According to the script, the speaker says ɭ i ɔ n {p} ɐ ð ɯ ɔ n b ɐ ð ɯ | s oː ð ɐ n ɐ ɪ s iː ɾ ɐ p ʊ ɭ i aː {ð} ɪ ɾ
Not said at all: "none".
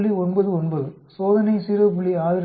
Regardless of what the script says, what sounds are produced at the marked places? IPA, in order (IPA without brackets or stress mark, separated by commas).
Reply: b, ð